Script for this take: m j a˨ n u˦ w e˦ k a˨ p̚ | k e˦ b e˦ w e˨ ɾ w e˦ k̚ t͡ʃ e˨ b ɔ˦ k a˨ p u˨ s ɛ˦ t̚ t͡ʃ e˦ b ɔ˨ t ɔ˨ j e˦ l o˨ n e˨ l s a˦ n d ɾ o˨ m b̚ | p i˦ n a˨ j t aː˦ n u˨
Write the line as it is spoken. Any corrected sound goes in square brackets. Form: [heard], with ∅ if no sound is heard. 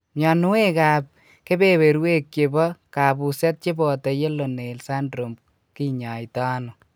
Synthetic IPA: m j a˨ n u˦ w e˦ k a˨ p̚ | k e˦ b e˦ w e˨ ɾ w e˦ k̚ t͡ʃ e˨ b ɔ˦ k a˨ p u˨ s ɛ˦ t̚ t͡ʃ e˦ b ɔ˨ t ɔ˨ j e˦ l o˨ n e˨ l s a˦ n d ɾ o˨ m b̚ | [k] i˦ [ɲ] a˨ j t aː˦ n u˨

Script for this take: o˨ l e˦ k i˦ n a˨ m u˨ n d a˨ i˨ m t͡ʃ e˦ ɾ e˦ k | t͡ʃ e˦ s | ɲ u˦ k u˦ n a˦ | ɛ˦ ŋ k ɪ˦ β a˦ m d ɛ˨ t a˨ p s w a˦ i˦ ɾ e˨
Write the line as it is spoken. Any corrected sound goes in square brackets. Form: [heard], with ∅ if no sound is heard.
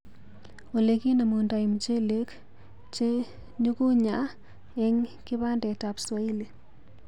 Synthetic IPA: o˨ l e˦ k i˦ n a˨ m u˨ n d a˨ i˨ m t͡ʃ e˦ [l] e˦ k | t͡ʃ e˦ [∅] | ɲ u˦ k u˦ [ɲ] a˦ | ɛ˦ ŋ k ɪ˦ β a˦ [n] d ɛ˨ t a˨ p s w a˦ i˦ [l] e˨

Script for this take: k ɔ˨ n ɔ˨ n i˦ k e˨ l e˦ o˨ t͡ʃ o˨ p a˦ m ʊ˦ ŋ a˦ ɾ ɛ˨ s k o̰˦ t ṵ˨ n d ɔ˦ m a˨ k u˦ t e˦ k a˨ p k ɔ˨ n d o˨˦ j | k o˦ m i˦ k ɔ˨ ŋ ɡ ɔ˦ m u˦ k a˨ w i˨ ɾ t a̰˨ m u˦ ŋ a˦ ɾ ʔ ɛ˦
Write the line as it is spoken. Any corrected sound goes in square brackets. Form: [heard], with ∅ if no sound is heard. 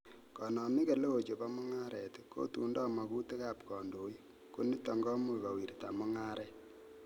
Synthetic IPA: k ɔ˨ n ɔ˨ [m] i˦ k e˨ l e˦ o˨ t͡ʃ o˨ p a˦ m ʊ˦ ŋ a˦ ɾ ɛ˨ [t] k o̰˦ t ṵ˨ n d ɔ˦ m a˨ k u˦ t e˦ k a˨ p k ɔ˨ n d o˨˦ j | k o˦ [n] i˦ [t] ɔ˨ ŋ ɡ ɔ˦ m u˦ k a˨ w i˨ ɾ t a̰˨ m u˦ ŋ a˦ ɾ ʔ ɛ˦

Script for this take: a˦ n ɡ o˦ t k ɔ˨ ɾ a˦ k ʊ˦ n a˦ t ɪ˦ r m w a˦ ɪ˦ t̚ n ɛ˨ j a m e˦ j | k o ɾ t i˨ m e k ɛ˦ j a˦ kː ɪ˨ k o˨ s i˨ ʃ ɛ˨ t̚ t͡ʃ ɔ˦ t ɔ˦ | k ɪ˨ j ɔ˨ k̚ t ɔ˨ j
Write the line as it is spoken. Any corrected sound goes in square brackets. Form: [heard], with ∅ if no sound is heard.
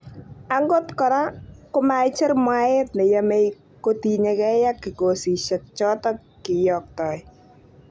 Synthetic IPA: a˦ [ŋ] ɡ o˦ t k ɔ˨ ɾ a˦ k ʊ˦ [m] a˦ [t͡ʃ] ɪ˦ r m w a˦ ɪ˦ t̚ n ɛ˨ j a m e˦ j | k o [∅] t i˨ [ɲ] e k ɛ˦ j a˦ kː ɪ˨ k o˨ s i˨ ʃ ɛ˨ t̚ t͡ʃ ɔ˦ t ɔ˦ | k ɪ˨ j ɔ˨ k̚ t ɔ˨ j

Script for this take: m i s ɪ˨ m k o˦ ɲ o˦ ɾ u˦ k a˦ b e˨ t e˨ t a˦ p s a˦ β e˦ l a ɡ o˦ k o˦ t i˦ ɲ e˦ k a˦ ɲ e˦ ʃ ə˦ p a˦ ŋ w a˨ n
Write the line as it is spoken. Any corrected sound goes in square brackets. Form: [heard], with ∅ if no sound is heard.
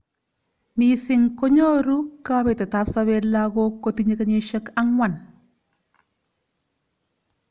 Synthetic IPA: m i s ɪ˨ [ŋ] k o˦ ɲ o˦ ɾ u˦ k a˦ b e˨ t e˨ t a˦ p s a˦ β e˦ l a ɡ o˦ k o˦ t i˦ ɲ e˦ k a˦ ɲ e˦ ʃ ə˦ [k] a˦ ŋ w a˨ n

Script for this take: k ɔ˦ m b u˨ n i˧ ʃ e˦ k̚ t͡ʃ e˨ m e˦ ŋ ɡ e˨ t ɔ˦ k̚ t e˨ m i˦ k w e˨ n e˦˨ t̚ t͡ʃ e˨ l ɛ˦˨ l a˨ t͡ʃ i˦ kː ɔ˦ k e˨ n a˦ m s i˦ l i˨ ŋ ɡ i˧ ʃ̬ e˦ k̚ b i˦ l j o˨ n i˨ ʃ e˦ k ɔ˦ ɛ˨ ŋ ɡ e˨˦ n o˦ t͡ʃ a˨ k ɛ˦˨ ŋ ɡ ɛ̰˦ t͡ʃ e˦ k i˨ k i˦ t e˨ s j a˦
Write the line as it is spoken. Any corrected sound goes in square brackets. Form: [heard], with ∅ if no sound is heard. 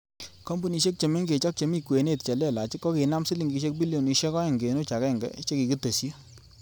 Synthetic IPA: k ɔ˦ m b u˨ n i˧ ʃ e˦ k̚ t͡ʃ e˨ m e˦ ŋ ɡ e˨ [t͡ʃ] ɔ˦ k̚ [t͡ʃ] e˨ m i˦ k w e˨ n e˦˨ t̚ t͡ʃ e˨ l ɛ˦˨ l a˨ t͡ʃ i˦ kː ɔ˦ k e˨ n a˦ m s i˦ l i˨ ŋ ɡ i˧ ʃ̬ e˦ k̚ b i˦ l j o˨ n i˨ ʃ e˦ k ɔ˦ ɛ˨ ŋ ɡ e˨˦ n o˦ t͡ʃ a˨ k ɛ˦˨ ŋ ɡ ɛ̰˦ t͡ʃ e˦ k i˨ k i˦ t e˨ s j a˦

